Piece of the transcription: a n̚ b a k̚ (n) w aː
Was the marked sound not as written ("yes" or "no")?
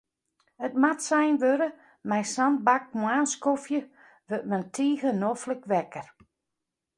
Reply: yes